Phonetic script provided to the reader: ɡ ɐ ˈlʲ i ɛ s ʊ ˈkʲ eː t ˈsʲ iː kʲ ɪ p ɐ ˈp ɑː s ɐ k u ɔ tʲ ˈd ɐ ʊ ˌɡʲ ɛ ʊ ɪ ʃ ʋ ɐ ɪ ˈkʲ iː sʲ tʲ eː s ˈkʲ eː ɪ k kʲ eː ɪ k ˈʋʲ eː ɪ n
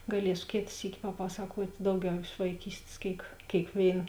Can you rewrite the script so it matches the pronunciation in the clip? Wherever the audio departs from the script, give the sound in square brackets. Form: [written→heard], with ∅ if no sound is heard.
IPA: ɡ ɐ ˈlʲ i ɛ s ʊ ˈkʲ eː t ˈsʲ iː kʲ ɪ p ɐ ˈp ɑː s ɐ k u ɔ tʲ ˈd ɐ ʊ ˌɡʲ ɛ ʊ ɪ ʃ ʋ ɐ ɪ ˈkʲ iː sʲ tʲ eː s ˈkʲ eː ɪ k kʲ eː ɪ k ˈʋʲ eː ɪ n